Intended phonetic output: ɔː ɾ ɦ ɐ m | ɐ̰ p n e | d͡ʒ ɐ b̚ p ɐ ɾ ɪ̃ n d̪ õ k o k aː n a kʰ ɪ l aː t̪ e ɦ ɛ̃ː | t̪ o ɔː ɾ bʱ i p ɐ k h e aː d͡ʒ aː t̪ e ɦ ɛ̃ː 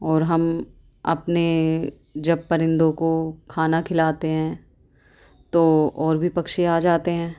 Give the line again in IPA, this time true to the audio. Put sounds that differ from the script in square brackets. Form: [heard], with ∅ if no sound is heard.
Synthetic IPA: ɔː ɾ ɦ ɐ m | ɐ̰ p n e | d͡ʒ ɐ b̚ p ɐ ɾ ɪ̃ n d̪ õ k o [kʰ] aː n a kʰ ɪ l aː t̪ e ɦ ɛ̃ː | t̪ o ɔː ɾ bʱ i p ɐ k [ʃ] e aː d͡ʒ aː t̪ e ɦ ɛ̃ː